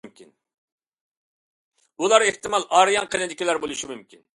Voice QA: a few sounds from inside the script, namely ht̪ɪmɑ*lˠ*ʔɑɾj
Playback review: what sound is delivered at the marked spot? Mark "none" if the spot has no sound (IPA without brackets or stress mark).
lˠ